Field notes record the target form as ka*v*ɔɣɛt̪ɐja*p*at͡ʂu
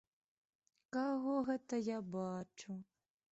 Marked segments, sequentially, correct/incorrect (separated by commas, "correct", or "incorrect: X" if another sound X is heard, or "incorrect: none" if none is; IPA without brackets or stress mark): incorrect: ɣ, incorrect: b